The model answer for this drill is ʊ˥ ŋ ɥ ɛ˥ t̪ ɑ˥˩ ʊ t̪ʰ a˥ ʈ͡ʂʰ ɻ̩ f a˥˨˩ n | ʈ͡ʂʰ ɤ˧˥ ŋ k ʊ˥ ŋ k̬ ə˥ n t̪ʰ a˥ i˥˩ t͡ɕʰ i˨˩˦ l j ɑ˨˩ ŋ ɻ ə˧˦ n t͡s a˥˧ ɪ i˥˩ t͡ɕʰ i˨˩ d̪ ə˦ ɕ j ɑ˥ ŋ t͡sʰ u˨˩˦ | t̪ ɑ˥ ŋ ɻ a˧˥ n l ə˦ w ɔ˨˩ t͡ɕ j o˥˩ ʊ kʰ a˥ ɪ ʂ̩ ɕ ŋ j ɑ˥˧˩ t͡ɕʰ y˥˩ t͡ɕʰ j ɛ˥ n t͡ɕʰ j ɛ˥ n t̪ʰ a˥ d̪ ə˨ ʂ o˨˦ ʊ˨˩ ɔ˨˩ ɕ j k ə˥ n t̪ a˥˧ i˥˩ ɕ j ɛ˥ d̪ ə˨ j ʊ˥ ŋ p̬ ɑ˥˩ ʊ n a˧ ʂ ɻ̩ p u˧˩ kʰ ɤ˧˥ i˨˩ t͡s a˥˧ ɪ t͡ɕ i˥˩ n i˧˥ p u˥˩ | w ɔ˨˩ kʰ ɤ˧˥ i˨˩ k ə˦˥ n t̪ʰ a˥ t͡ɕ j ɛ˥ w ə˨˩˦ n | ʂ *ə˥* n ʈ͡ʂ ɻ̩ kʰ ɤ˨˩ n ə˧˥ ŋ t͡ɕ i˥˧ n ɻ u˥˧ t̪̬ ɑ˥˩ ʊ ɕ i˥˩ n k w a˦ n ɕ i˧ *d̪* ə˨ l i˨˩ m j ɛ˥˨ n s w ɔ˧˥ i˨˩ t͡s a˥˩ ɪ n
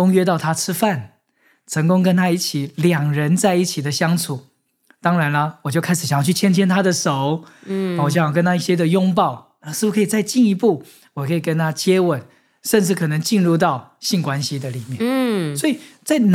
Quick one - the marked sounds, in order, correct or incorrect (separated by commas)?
incorrect, correct